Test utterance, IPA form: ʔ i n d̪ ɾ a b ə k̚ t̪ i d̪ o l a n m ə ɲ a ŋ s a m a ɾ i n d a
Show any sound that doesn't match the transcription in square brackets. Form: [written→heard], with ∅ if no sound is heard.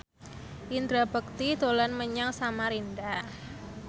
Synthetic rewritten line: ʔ i n d̪ ɾ a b ə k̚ t̪ i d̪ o l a n m ə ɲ a ŋ s a m a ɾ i n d a